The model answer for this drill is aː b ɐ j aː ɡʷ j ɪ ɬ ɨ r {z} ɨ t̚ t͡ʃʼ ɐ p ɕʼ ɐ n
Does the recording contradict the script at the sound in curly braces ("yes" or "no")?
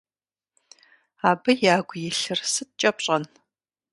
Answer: yes